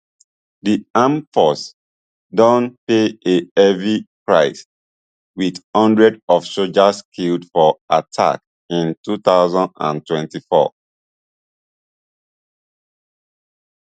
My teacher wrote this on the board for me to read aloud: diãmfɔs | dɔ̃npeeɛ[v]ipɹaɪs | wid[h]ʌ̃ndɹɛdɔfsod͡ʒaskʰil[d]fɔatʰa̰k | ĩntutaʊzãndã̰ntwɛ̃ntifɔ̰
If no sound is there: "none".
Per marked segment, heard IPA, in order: v, h, d

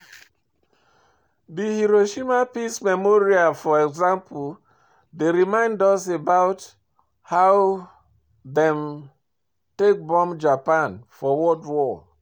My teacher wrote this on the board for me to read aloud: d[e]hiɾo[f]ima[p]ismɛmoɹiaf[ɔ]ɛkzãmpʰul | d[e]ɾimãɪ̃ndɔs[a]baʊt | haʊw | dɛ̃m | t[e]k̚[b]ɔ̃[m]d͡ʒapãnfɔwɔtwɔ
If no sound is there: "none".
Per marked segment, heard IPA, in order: i, ʃ, p, ɔ, e, e, e, b, m

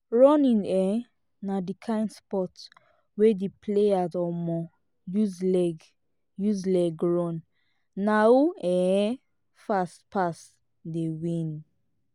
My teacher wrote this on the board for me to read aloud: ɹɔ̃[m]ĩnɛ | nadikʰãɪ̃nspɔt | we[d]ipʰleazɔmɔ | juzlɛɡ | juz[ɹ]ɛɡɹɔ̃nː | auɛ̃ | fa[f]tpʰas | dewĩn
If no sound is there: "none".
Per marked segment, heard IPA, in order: n, d, l, s

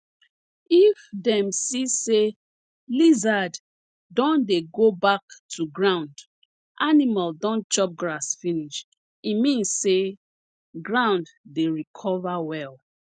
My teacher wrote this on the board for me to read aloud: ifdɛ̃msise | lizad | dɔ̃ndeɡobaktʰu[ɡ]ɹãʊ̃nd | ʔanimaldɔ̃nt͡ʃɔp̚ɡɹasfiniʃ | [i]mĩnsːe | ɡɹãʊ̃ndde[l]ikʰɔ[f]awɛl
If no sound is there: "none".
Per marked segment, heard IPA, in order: ɡ, i, ɹ, v

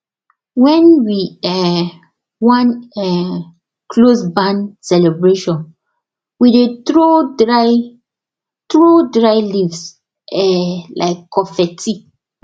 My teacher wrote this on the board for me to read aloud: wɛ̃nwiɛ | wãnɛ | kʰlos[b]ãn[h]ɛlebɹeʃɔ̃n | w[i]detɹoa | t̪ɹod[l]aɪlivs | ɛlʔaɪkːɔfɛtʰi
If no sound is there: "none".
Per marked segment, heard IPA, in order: b, s, i, ɹ

